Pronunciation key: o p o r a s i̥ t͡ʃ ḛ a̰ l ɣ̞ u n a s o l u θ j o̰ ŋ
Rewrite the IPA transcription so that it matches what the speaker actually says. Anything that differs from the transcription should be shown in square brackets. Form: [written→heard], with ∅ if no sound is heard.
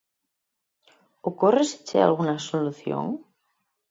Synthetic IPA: o [p→k] o r [a→e] s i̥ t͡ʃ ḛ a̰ l ɣ̞ u n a s o l u θ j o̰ ŋ